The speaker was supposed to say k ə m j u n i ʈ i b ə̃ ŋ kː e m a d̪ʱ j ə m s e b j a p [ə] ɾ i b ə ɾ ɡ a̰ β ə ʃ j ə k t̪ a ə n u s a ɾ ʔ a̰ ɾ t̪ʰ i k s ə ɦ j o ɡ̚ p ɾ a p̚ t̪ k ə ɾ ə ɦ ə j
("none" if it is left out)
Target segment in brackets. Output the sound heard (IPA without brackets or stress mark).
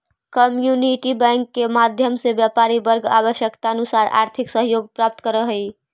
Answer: a